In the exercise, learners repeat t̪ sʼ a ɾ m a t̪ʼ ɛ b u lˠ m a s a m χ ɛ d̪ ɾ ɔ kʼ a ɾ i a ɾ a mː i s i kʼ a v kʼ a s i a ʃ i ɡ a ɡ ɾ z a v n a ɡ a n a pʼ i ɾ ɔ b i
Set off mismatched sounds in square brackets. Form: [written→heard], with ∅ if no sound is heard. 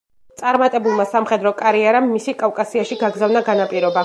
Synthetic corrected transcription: t̪ sʼ a ɾ m a t̪ʼ ɛ b u lˠ m a s a m χ ɛ d̪ ɾ ɔ kʼ a ɾ i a ɾ a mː i s i kʼ a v kʼ a s i a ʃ i ɡ a ɡ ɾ z a v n a ɡ a n a pʼ i ɾ ɔ b [i→a]